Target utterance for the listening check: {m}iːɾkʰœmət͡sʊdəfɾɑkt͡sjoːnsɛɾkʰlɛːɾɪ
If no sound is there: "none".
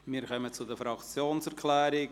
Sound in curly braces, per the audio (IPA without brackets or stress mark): m